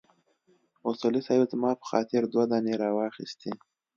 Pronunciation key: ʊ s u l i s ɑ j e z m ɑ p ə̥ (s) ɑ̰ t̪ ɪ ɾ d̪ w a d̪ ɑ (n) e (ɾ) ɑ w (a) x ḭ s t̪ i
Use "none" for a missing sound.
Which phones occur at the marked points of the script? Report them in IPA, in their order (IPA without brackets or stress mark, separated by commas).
x, n, ɾ, ɑ